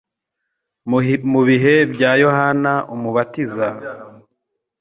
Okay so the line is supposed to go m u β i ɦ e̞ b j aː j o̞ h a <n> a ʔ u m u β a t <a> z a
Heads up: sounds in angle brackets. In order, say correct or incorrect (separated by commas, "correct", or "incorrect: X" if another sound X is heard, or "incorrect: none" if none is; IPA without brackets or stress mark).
correct, incorrect: i